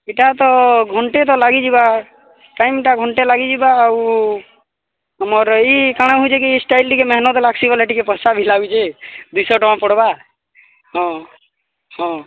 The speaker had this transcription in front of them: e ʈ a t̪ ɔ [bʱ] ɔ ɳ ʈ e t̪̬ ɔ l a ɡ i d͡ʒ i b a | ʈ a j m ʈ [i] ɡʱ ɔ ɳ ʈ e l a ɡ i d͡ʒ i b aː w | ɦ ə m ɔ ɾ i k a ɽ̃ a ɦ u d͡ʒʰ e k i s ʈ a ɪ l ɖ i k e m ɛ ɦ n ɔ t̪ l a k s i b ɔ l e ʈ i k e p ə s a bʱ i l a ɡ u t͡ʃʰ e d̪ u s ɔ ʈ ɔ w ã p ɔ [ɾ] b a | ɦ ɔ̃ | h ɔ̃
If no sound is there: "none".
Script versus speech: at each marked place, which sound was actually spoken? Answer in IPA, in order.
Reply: ɡʱ, a, ɽ

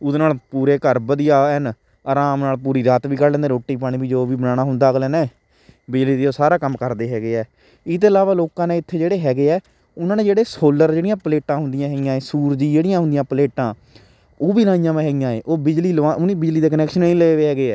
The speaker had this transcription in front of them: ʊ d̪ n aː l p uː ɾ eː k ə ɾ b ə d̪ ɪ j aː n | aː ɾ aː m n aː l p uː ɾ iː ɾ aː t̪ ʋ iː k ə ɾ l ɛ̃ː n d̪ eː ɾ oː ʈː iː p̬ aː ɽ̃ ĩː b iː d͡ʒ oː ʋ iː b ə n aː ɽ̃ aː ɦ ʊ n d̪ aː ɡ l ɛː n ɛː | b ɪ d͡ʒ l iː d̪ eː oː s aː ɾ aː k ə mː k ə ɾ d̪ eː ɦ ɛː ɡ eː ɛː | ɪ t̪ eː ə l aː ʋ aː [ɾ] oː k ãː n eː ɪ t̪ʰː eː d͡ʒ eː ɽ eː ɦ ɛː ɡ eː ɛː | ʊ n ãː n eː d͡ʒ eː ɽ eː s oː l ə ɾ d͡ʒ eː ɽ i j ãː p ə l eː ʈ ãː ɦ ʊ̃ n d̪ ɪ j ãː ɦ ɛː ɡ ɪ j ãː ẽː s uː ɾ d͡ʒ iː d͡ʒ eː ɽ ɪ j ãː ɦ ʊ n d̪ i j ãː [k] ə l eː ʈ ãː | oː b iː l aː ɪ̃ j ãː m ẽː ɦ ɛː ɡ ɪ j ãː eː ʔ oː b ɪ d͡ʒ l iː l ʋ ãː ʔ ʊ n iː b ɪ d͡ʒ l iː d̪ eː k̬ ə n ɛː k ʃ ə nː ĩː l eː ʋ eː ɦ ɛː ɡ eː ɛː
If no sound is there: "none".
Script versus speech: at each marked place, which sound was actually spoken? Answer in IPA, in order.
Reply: l, p

